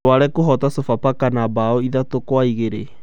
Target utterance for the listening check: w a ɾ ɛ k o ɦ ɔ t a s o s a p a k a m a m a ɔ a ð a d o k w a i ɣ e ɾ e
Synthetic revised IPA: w a ɾ ɛ k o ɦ ɔ t a s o f a p a k a n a b a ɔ i ð a t o k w a i ɣ e ɾ e